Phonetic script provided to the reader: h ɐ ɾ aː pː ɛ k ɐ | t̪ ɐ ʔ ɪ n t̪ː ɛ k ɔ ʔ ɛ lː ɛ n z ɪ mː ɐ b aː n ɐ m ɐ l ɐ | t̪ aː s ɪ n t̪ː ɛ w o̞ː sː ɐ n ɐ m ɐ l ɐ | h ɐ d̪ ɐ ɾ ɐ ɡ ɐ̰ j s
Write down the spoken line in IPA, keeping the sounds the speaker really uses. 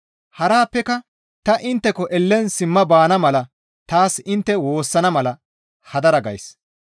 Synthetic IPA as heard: h ɐ ɾ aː pː ɛ k ɐ | t̪ ɐ ʔ ɪ n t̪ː ɛ k ɔ ʔ ɛ lː ɛ n s ɪ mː ɐ b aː n ɐ m ɐ l ɐ | t̪ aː s ɪ n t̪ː ɛ w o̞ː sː ɐ n ɐ m ɐ l ɐ | h ɐ d̪ ɐ ɾ ɐ ɡ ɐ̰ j s